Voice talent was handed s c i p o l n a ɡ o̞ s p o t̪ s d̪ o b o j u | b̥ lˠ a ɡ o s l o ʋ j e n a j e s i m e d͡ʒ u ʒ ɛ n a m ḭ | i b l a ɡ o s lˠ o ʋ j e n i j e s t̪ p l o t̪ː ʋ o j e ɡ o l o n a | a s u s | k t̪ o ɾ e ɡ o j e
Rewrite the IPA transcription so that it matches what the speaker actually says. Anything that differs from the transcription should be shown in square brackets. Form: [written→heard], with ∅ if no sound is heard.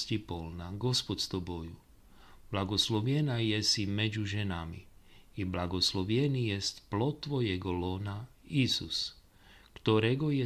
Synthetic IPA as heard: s c i p o l n a ɡ o̞ s p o t̪ s [d̪→t̪] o b o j u | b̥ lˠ a ɡ o s l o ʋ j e n a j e s i m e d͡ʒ u ʒ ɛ n a m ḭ | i b l a ɡ o s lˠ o ʋ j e n i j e s t̪ p l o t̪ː ʋ o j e ɡ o l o n a | [a→i] s u s | k t̪ o ɾ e ɡ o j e